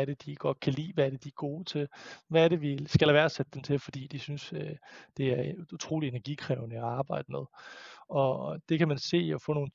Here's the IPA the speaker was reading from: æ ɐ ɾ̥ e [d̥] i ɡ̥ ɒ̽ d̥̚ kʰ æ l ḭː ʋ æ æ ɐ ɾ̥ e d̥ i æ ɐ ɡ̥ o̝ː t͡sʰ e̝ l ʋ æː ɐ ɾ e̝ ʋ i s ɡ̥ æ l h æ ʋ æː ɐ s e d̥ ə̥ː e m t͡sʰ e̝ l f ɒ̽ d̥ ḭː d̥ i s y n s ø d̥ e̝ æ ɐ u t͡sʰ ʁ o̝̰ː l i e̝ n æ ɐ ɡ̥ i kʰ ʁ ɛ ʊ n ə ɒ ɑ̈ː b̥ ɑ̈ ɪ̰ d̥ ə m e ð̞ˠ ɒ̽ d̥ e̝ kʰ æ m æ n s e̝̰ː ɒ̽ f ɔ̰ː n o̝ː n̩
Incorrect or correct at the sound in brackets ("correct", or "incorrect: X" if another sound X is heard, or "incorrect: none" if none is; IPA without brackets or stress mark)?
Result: correct